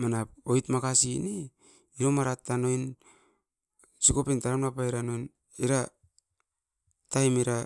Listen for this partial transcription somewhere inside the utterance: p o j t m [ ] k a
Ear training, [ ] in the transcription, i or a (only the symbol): a